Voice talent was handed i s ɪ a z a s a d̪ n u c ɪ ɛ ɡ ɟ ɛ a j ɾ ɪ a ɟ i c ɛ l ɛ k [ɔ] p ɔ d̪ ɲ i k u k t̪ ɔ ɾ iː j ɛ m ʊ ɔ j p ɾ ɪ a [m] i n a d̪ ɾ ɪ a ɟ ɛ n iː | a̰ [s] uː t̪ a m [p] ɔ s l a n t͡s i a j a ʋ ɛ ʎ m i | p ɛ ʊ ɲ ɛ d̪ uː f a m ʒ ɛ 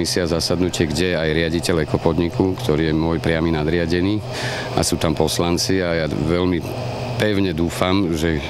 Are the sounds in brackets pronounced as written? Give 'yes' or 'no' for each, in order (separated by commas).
yes, yes, yes, yes